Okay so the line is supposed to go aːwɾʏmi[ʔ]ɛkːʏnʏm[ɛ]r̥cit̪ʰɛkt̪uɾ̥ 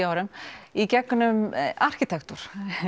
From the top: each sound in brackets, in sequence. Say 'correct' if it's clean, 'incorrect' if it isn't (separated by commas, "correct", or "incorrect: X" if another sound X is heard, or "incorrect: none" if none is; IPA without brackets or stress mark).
incorrect: c, incorrect: a